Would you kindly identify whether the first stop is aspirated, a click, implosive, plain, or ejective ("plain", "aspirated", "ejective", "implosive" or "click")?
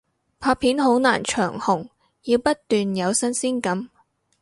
aspirated